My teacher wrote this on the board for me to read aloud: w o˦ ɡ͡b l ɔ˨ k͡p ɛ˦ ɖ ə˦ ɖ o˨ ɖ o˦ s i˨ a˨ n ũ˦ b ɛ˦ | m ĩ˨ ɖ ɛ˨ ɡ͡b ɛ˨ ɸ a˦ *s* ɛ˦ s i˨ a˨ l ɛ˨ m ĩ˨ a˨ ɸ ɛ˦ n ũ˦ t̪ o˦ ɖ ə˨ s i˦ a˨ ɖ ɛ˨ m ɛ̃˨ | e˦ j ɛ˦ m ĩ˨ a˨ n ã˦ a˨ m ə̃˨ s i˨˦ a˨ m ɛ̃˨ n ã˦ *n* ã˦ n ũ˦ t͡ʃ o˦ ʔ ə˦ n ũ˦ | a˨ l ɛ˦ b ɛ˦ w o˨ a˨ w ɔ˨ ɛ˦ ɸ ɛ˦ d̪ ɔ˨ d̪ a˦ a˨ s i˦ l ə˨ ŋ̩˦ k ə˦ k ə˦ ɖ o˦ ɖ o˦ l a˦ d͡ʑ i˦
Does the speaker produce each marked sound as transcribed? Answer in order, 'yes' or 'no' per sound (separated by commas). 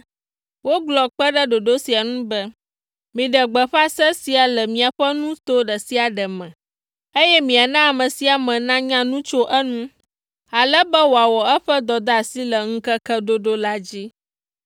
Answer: yes, no